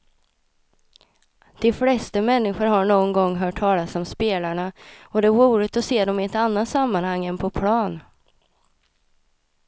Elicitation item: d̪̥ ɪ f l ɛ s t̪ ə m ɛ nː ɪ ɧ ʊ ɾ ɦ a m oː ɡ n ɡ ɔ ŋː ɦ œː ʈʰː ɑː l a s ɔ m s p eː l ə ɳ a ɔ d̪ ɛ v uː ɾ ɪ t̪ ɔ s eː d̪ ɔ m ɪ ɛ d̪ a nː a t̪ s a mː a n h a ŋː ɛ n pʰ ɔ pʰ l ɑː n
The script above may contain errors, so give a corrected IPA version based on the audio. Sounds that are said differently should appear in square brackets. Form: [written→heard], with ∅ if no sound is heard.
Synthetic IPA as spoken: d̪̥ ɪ f l ɛ s t̪ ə m ɛ nː ɪ ɧ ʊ ɾ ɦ a [m→ɳ] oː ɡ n ɡ ɔ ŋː ɦ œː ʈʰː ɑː l a s ɔ m s p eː l [ə→a] ɳ a ɔ d̪ ɛ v uː ɾ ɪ t̪ ɔ s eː d̪ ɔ m ɪ ɛ [d̪→t̪] a nː a t̪ s a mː a n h a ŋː ɛ n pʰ ɔ pʰ l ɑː n